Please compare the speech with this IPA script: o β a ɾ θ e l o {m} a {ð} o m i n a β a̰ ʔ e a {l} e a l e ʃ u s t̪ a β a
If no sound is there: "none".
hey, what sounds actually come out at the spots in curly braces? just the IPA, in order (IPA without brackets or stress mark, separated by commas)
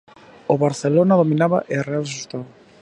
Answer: n, ð, r